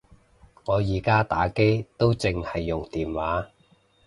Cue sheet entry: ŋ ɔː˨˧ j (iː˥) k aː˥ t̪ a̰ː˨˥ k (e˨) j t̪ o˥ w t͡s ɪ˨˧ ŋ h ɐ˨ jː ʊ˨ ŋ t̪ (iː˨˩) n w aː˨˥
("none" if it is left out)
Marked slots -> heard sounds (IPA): iː˨˩, e˥, iː˨˩

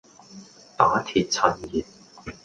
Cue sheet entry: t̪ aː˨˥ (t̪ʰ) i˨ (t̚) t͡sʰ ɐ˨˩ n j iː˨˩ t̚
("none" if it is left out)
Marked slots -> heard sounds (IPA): t̪ʰ, t̚

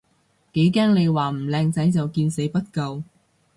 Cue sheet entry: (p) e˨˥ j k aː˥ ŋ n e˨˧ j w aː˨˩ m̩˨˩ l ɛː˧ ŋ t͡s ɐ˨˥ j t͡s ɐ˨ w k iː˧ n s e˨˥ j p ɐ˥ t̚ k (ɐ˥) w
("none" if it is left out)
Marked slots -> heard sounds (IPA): k, ɐ˧

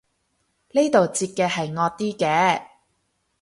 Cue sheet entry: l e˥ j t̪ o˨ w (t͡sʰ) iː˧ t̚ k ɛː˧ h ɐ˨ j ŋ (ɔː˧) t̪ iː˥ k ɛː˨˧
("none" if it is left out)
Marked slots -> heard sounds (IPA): t͡s, ɔː˧

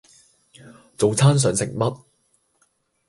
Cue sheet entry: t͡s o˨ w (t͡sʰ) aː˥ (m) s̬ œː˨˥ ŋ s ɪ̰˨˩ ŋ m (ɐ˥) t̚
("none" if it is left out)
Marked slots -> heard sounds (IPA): t͡sʰ, n, ɐ˥

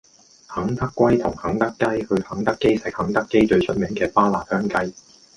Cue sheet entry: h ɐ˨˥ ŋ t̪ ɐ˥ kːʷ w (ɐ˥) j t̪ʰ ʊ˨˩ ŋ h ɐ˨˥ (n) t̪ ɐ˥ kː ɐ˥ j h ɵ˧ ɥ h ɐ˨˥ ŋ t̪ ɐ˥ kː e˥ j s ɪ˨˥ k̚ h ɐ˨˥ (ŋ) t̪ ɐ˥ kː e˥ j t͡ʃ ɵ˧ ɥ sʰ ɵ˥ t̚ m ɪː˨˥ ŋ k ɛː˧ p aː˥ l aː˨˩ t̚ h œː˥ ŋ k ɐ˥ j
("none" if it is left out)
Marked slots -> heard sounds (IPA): ɐ˥, ŋ, ŋ

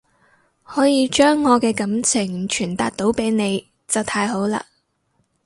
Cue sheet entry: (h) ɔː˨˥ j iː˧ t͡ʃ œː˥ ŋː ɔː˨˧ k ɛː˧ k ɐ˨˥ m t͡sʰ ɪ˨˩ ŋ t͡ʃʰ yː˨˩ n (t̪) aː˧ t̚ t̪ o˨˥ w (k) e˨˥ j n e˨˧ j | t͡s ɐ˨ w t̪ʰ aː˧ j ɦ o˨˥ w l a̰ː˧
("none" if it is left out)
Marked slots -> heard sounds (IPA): h, t̪, p

